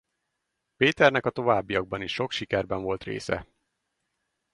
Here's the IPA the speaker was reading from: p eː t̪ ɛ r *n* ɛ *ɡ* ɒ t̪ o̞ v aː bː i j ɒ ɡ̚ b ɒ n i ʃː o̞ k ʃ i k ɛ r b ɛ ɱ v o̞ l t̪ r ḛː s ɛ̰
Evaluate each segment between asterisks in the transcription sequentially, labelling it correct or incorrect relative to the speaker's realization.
correct, incorrect: k

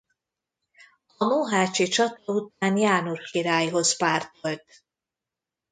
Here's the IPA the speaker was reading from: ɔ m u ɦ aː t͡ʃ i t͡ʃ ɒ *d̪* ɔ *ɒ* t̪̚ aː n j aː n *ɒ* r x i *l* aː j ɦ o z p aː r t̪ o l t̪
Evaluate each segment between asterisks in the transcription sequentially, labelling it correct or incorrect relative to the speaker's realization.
incorrect: t̪, incorrect: u, incorrect: u, incorrect: ɾ

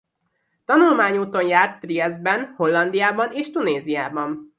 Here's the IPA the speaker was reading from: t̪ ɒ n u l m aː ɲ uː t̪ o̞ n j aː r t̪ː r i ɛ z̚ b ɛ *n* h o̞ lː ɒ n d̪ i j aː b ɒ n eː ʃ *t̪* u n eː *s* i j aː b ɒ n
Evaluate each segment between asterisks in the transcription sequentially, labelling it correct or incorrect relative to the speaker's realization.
correct, correct, incorrect: z

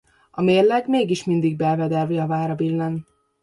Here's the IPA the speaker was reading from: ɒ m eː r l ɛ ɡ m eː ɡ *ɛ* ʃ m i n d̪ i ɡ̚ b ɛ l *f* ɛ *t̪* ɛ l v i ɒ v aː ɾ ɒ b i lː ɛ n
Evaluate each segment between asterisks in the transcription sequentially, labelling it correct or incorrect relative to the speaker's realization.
incorrect: i, incorrect: v, incorrect: d̪

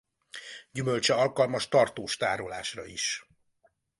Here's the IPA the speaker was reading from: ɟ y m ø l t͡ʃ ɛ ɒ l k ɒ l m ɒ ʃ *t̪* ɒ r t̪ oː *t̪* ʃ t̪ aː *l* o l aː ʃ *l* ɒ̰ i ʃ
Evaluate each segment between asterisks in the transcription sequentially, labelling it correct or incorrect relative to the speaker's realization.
correct, incorrect: none, incorrect: ɾ, incorrect: r

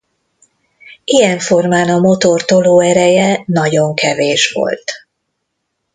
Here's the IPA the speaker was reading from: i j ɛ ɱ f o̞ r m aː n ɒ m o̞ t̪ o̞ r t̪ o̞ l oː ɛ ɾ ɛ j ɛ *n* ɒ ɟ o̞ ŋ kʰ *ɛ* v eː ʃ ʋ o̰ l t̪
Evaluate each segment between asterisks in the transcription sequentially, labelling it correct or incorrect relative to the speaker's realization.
correct, correct

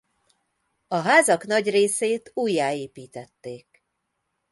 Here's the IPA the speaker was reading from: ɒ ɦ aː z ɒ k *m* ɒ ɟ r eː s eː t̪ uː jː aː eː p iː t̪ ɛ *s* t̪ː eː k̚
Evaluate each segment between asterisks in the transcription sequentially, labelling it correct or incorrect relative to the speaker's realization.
incorrect: n, incorrect: none

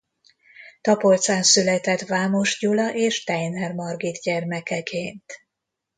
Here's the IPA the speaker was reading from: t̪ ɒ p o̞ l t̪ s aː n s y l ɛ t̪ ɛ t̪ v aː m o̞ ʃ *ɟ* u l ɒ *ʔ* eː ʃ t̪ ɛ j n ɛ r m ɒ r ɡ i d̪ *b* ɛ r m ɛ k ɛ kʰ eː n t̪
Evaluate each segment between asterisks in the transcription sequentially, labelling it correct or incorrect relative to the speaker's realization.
correct, correct, incorrect: ɟ

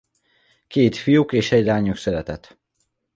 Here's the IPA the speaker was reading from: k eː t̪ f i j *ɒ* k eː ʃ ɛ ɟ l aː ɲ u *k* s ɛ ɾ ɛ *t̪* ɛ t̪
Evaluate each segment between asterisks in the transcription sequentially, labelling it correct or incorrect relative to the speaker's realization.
incorrect: u, correct, correct

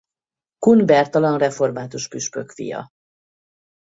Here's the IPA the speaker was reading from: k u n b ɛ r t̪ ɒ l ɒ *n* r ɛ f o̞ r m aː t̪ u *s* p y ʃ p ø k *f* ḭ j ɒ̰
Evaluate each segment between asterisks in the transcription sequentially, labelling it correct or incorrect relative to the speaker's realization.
correct, incorrect: ʃ, correct

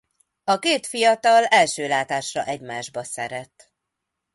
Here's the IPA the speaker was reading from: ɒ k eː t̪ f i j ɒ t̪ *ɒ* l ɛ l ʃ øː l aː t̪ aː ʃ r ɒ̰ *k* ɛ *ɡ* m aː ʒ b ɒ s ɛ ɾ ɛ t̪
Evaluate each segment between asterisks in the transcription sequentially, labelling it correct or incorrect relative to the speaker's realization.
correct, incorrect: ʔ, incorrect: ɟ

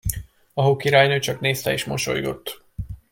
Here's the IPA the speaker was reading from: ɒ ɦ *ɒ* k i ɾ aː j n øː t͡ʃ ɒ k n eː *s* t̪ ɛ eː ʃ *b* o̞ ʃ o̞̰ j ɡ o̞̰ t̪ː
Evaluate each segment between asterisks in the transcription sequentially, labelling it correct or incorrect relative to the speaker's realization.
incorrect: o, correct, incorrect: m

